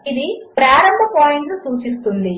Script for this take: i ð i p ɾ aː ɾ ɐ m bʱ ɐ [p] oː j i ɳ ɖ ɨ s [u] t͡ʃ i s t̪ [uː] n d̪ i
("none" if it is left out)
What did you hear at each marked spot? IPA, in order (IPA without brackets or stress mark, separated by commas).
p, uː, u